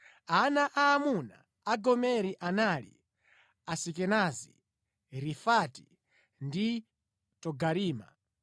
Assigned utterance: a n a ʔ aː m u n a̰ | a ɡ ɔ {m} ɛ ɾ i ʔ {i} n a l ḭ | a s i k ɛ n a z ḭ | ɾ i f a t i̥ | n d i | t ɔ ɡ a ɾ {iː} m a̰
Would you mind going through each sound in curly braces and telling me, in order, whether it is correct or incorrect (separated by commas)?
correct, incorrect, correct